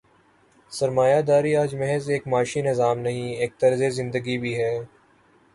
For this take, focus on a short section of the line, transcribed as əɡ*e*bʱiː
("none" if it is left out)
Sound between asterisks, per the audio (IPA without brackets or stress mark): i